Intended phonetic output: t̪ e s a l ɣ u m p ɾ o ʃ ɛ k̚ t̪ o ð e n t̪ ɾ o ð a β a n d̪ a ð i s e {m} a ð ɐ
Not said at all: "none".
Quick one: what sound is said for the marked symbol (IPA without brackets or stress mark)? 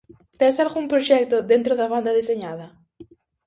ɲ